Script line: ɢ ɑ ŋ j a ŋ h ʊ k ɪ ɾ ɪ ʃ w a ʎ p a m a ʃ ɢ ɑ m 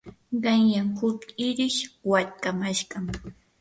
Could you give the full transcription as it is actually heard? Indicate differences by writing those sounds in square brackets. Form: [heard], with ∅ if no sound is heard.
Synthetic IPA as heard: ɢ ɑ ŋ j a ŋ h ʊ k ɪ ɾ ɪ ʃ w a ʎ [k] a m a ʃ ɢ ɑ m